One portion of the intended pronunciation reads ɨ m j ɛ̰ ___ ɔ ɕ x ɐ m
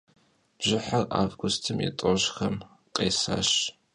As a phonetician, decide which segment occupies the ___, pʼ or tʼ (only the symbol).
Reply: tʼ